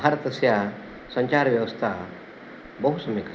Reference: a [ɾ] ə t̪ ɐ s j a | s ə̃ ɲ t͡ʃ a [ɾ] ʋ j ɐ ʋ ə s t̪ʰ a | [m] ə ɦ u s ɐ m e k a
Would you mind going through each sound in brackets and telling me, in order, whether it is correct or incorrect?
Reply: correct, correct, incorrect

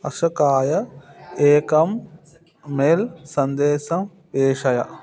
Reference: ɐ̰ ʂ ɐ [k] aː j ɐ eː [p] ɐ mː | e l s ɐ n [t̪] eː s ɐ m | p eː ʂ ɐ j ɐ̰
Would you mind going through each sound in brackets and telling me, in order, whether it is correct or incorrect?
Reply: correct, incorrect, incorrect

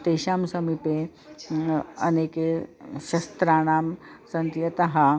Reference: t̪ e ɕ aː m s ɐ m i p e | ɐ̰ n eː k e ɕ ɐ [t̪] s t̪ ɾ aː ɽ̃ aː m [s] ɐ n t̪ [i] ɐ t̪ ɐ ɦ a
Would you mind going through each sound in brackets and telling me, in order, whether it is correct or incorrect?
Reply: incorrect, correct, incorrect

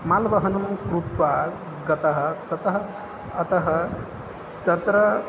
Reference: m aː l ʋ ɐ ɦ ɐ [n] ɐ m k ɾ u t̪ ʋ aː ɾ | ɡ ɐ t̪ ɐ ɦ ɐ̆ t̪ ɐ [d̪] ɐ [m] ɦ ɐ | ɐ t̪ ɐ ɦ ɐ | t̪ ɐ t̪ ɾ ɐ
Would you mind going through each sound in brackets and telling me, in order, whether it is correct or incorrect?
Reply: correct, incorrect, incorrect

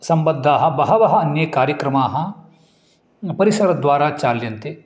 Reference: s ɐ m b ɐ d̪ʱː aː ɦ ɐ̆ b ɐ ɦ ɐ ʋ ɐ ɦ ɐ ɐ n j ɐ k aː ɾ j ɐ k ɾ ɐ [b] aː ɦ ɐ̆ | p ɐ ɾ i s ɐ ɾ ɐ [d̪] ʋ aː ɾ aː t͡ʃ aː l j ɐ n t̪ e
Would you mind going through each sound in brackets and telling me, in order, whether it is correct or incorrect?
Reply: incorrect, correct

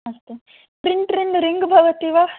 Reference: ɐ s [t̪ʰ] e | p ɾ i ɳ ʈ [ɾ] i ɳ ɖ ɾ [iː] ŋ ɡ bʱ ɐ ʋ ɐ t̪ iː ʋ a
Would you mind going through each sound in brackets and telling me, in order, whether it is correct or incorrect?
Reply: incorrect, correct, incorrect

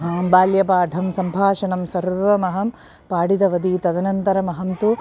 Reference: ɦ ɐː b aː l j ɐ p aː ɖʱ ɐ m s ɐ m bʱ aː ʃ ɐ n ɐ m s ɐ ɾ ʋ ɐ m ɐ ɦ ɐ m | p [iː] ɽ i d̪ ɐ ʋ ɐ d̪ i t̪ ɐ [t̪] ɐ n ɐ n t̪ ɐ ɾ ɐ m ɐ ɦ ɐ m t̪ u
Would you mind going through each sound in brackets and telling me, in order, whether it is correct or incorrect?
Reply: incorrect, incorrect

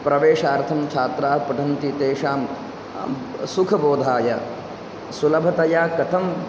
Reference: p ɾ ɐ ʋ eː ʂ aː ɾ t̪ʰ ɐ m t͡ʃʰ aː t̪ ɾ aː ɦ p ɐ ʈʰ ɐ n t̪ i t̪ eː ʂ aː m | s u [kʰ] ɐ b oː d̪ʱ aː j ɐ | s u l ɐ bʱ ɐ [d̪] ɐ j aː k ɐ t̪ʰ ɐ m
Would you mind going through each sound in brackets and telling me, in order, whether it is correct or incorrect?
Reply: correct, incorrect

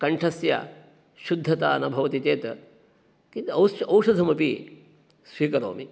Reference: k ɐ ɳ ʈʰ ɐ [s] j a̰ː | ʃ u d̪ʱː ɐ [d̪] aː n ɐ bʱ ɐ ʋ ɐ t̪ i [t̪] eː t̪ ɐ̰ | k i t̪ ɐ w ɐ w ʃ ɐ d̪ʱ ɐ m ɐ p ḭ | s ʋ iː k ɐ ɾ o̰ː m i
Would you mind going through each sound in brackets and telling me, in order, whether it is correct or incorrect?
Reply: correct, incorrect, correct

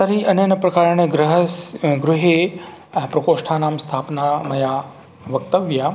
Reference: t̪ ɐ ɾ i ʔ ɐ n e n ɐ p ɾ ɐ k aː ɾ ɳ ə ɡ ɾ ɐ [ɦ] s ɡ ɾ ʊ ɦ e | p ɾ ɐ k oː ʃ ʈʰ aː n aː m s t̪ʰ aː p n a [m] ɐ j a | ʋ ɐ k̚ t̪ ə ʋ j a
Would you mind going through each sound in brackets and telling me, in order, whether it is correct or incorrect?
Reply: correct, correct

